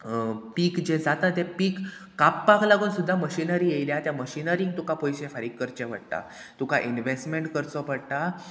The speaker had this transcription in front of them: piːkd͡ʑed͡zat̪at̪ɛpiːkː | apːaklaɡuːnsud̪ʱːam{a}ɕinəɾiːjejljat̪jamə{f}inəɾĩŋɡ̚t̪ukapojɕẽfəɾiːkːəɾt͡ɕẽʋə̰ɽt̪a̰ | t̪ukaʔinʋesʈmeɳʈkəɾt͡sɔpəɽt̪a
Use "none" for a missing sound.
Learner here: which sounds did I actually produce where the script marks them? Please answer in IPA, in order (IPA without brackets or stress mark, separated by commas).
ə, ɕ